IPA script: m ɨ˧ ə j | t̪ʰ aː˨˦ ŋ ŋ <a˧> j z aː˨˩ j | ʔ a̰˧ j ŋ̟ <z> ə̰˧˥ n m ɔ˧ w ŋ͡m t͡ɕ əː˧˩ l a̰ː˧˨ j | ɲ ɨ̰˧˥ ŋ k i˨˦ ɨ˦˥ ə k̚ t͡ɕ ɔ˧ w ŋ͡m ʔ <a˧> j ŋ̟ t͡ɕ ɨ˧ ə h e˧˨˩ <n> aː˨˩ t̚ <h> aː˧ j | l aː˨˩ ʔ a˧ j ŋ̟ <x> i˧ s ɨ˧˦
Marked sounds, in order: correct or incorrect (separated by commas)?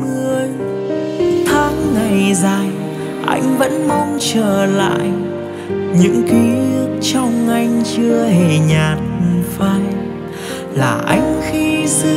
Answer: incorrect, incorrect, correct, incorrect, incorrect, correct